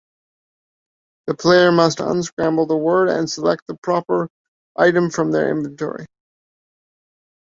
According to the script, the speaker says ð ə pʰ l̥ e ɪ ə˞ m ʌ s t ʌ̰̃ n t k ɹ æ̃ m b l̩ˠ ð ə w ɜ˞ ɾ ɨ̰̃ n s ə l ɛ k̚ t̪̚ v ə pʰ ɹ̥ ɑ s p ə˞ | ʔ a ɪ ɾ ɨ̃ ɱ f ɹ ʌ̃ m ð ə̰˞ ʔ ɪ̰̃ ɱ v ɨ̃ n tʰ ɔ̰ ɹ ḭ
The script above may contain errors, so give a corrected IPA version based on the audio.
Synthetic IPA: ð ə pʰ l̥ e ɪ ə˞ m ʌ s t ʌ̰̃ n s k ɹ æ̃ m b l̩ˠ ð ə w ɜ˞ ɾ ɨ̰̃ n s ə l ɛ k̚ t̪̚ ð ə pʰ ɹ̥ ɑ p ə˞ | ʔ a ɪ ɾ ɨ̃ ɱ f ɹ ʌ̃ m ð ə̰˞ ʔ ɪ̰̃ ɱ v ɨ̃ n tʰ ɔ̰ ɹ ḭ